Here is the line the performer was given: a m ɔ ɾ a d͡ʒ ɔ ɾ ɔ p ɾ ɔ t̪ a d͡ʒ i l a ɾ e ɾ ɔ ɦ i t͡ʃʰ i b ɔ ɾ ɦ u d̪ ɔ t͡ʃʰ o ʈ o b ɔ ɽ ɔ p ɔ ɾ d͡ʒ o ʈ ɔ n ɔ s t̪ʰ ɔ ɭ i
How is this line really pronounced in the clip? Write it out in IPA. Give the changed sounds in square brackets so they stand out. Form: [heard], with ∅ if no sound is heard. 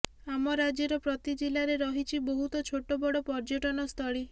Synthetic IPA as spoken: a m ɔ ɾ a d͡ʒ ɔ ɾ ɔ p ɾ ɔ t̪ [i] d͡ʒ i l a ɾ e ɾ ɔ ɦ i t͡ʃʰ i b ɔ [∅] ɦ u [t̪] ɔ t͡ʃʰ o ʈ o b ɔ ɽ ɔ p ɔ ɾ d͡ʒ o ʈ ɔ n ɔ s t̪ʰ ɔ ɭ i